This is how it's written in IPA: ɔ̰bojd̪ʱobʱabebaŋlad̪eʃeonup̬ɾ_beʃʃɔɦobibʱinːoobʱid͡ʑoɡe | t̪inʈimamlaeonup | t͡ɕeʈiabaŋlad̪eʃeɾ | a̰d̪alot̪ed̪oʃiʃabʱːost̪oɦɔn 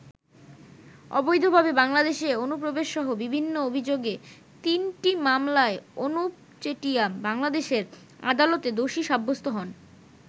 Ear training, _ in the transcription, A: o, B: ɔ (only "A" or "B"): A